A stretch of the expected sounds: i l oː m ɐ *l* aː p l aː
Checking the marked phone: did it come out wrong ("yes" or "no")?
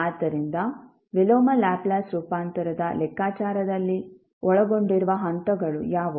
no